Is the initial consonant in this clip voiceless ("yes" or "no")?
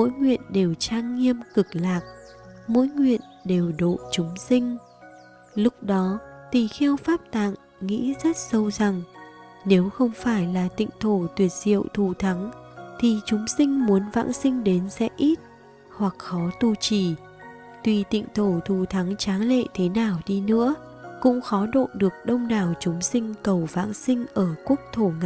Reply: no